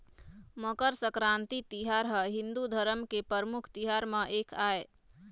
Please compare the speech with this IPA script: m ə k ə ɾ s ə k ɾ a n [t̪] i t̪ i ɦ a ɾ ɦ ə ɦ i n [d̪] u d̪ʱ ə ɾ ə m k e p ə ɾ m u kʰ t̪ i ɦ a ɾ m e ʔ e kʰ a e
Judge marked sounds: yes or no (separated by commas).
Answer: yes, yes